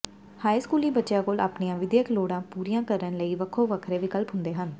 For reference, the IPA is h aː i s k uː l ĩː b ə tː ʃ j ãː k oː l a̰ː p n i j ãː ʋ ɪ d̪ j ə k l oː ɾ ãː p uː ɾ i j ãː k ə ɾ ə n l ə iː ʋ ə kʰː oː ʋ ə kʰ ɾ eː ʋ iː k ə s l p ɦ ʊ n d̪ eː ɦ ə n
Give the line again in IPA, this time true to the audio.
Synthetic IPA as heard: h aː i s k uː l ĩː b ə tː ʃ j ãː k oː l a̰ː p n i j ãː ʋ ɪ d̪ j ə k l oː ɽ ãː p uː ɾ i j ãː k ə ɾ ə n l ə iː ʋ ə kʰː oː ʋ ə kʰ ɾ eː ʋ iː k ə l p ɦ ʊ n d̪ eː ɦ ə n